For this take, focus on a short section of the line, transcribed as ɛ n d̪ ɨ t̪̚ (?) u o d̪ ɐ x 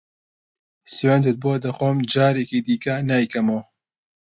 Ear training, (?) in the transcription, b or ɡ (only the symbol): b